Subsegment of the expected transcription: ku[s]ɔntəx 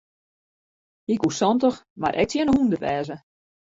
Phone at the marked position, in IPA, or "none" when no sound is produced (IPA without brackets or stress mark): s